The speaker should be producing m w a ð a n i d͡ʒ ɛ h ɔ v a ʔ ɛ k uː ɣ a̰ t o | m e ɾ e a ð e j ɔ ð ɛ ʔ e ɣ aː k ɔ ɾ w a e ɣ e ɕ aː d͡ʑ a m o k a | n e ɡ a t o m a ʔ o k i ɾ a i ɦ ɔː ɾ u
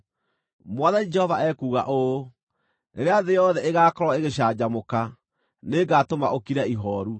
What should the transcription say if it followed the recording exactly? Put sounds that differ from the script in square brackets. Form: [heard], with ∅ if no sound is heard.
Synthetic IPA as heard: m w a ð a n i d͡ʒ ɛ h ɔ v a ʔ ɛ k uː ɣ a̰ [ʔ] o | [n] e ɾ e a ð e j ɔ ð ɛ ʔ e ɣ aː k ɔ ɾ w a e ɣ e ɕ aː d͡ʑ a m o k a | n e ɡ a t o m a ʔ o k i ɾ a i ɦ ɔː ɾ u